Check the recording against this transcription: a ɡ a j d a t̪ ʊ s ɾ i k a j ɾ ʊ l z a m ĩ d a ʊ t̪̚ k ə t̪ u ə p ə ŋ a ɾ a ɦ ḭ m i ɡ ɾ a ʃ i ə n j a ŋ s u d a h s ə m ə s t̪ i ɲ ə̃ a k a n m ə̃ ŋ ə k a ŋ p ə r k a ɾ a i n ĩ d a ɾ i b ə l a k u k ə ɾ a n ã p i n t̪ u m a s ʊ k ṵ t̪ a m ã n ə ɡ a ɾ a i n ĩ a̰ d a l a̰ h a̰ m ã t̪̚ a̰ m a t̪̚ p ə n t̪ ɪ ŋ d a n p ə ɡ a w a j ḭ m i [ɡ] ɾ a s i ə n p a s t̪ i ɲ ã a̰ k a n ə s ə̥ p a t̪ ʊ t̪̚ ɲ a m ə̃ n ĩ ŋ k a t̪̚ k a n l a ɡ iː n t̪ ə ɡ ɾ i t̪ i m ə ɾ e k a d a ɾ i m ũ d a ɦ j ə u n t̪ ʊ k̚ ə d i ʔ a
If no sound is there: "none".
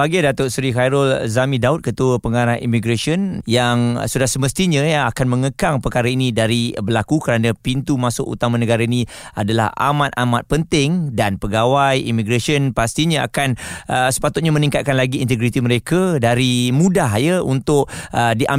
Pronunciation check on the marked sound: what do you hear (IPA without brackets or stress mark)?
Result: ɡ